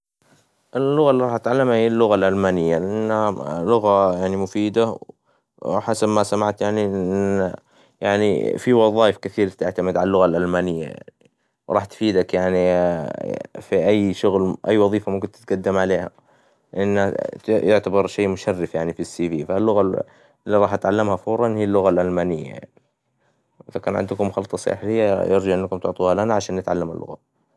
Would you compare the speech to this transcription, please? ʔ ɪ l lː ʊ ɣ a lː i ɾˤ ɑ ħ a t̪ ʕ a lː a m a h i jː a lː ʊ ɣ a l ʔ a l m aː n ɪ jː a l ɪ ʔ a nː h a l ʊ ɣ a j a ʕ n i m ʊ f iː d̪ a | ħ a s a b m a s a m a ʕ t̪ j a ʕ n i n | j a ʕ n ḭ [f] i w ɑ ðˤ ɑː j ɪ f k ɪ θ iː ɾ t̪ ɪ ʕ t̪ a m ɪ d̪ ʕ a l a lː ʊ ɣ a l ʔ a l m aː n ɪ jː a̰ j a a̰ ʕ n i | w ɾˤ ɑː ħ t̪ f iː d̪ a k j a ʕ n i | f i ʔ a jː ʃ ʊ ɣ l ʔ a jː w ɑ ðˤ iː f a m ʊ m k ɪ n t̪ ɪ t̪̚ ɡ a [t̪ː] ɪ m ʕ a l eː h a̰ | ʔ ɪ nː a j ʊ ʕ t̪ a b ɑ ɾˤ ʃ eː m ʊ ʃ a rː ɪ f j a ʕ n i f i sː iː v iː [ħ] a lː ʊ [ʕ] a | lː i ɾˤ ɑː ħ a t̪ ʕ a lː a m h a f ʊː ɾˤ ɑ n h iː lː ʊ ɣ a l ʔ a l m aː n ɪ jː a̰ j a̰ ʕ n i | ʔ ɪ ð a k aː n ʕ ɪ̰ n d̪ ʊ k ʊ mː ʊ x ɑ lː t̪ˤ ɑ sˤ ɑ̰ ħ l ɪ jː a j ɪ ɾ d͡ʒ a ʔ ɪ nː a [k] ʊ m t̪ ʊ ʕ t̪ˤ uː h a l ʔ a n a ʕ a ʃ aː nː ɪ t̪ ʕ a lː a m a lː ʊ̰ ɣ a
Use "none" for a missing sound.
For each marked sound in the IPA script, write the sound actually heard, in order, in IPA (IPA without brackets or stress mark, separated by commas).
f, d̪ː, f, ɣ, k